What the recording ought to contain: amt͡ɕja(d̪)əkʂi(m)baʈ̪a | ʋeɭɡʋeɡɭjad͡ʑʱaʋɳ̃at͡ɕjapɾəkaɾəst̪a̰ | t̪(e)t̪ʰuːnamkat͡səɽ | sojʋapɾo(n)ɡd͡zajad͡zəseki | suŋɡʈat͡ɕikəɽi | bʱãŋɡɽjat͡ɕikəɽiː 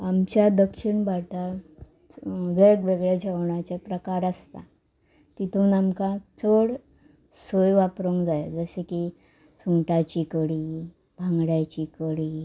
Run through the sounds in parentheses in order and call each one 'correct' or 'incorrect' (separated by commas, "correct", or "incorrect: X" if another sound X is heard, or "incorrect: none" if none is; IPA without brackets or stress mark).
correct, incorrect: ɳ, incorrect: i, incorrect: ŋ